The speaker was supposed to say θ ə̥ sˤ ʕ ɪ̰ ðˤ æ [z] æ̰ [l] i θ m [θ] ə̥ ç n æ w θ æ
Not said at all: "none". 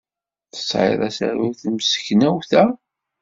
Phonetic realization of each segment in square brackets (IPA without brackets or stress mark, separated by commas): s, ɾ, s